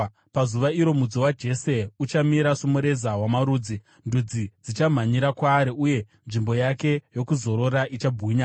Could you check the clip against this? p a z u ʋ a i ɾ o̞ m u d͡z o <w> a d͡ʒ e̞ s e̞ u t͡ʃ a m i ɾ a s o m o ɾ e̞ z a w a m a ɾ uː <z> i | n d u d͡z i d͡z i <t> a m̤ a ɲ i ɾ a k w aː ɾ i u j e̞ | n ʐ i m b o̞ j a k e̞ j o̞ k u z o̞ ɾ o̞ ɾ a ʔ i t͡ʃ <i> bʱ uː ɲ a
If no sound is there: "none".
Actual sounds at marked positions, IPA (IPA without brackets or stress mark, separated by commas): w, d͡z, t͡ʃ, a